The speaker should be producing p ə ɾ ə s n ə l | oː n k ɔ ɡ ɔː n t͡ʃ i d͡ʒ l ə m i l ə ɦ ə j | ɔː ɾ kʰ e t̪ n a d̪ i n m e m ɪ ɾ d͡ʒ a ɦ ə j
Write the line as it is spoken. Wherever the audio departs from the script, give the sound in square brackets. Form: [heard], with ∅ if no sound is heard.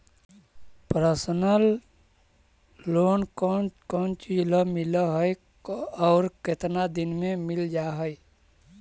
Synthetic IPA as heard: p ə ɾ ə s n ə l | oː n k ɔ [k] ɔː n t͡ʃ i d͡ʒ l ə m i l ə ɦ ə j | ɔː ɾ [k] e t̪ n a d̪ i n m e m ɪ [l] d͡ʒ a ɦ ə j